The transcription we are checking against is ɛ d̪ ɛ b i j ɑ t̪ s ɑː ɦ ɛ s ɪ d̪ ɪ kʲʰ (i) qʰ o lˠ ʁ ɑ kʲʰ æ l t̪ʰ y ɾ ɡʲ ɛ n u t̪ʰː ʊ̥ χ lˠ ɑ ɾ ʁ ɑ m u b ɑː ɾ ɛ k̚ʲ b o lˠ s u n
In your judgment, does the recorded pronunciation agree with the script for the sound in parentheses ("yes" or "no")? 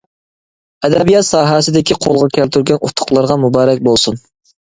yes